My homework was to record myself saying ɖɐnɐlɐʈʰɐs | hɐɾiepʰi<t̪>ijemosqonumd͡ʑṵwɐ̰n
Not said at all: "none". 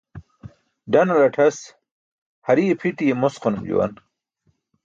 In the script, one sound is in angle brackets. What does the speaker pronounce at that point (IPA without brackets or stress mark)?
t̪